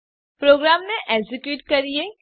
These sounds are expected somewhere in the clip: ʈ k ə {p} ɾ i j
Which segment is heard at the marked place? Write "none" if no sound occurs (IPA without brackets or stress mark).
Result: none